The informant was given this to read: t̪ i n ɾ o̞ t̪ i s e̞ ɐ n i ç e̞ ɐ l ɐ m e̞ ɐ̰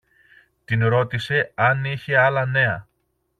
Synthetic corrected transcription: t̪ i n ɾ o̞ t̪ i s e̞ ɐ n i ç e̞ ɐ l ɐ n e̞ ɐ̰

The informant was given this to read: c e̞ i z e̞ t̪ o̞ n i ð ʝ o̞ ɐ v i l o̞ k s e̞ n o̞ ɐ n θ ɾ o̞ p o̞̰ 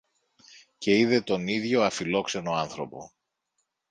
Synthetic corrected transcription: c e̞ i ð e̞ t̪ o̞ n i ð ʝ o̞ ɐ f i l o̞ k s e̞ n o̞ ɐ n θ ɾ o̞ p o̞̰

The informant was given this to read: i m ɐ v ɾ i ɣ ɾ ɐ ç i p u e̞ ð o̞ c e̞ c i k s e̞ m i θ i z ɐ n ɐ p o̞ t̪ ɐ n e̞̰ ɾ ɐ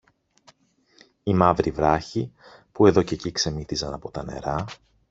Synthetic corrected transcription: i m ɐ v ɾ i v ɾ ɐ ç i p u e̞ ð o̞ c e̞ c i k s e̞ m i θ i z ɐ n ɐ p o̞ t̪ ɐ n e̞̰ ɾ ɐ

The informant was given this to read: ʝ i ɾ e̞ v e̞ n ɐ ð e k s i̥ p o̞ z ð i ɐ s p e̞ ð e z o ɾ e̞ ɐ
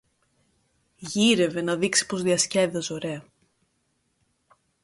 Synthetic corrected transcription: ʝ i ɾ e̞ v e̞ n ɐ ð i k s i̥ p o̞ z ð i ɐ s c e̞ ð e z o ɾ e̞ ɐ

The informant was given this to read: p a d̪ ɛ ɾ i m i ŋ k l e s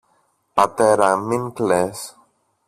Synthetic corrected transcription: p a t̪ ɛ ɾ a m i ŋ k l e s

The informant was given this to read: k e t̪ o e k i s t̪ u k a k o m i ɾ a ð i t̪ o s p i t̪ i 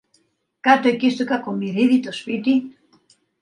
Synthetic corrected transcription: k a t̪ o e k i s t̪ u k a k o m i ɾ i ð i t̪ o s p i t̪ i

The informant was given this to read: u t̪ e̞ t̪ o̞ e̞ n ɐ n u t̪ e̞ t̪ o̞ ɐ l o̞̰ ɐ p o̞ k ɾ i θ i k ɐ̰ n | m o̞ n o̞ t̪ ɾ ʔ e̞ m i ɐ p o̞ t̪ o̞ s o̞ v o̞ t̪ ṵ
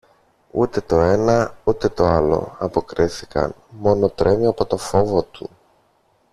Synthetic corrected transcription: u t̪ e̞ t̪ o̞ e̞ n ɐ u t̪ e̞ t̪ o̞ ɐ l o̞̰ ɐ p o̞ k ɾ i θ i k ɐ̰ n | m o̞ n o̞ t̪ ɾ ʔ e̞ m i ɐ p o̞ t̪ o̞ f o̞ v o̞ t̪ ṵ

